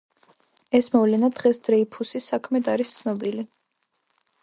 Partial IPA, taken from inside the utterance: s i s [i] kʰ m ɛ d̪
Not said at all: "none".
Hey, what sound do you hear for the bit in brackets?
a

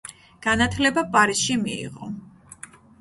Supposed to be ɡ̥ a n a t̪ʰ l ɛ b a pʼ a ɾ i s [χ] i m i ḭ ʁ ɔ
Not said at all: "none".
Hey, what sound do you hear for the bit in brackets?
ʃ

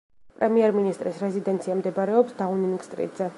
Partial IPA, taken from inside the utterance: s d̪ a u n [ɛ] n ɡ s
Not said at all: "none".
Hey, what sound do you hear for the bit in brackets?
i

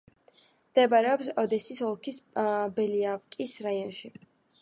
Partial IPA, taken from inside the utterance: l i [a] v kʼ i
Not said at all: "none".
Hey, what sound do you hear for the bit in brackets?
a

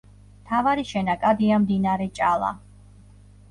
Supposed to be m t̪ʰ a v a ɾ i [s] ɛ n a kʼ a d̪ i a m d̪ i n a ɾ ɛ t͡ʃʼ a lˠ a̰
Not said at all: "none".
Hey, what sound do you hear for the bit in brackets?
ʃ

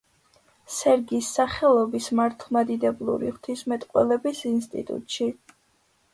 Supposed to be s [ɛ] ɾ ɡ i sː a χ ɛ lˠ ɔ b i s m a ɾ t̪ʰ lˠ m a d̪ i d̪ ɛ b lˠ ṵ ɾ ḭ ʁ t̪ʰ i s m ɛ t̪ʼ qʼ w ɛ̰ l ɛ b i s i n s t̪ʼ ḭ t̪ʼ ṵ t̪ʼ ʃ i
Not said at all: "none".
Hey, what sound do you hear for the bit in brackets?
ɛ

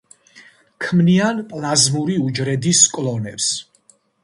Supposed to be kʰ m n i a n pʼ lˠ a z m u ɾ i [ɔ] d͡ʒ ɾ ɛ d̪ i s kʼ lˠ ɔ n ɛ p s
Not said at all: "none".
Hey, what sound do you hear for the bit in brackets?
u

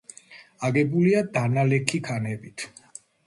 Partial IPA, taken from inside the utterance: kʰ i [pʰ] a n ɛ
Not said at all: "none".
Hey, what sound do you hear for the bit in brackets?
kʰ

